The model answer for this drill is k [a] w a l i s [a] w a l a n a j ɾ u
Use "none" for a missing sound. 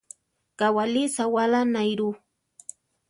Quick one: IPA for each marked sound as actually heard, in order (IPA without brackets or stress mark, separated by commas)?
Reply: a, a